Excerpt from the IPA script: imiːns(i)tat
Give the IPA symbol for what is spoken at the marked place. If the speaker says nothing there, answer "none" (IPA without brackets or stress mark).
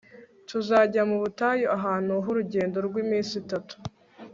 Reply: i